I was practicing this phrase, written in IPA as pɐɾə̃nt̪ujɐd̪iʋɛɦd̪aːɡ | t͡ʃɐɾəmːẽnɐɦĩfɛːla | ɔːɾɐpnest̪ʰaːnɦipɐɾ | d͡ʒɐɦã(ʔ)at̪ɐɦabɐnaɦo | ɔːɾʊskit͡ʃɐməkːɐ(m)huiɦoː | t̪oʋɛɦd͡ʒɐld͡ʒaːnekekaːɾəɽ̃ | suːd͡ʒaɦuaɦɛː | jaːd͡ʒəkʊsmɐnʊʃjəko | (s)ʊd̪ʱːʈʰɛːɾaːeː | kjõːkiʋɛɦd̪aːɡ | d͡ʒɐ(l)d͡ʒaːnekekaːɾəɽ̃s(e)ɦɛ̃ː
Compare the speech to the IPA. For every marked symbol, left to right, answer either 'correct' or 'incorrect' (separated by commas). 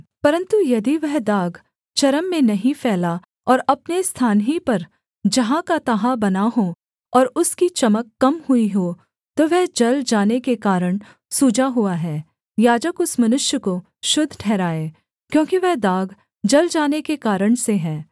incorrect, correct, incorrect, correct, correct